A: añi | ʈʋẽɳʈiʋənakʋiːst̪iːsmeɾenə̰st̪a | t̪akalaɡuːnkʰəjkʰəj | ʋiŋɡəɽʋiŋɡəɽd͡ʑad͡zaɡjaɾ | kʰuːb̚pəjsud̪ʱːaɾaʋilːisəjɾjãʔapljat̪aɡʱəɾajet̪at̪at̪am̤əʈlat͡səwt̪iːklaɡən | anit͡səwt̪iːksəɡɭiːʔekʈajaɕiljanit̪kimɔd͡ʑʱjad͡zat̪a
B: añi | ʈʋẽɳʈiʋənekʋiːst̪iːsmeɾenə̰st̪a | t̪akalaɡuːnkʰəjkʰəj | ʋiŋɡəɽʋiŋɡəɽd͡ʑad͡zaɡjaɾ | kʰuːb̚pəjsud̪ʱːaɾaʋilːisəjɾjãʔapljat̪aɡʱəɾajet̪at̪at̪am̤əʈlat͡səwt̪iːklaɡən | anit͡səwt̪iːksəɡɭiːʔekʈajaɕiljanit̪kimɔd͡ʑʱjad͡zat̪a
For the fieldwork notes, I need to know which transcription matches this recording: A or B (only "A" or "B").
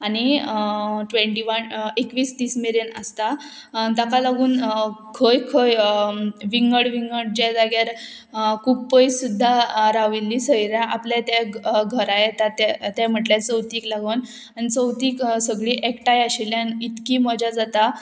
B